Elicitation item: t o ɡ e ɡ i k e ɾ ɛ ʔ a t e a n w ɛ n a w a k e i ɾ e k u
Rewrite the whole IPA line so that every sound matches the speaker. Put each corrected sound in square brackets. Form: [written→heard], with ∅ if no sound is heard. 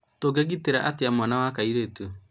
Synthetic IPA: t o ɡ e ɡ i [k→t] e ɾ [ɛ→a] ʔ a t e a [n→m] w [ɛ→a] n a w a k [e→a] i ɾ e [k→t] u